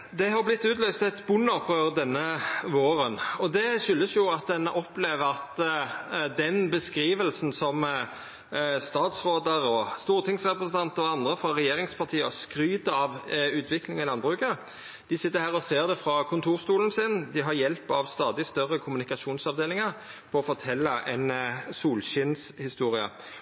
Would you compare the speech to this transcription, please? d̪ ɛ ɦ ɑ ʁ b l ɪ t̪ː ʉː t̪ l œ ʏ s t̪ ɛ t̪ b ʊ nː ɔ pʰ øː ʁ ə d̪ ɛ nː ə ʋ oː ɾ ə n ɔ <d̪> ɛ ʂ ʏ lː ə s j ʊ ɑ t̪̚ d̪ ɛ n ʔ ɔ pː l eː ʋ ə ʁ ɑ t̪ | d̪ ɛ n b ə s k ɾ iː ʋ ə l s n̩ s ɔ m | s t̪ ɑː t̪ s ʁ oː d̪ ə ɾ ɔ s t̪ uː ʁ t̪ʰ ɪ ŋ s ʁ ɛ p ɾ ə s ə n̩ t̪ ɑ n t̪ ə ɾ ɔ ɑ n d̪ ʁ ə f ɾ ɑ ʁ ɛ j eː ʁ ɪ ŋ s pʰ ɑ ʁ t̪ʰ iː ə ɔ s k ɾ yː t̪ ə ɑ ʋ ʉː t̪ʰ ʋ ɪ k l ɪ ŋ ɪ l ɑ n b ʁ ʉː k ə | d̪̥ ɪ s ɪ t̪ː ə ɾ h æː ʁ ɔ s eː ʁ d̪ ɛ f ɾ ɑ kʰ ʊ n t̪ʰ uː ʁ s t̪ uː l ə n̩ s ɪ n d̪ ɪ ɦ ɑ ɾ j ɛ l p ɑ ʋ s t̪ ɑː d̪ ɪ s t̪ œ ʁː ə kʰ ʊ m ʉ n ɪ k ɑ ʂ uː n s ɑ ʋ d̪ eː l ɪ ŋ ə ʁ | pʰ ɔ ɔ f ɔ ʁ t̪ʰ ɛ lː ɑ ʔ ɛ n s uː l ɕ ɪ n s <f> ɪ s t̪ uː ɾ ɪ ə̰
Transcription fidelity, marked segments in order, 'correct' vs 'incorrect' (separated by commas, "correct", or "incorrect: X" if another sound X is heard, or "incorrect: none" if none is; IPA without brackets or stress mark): correct, incorrect: h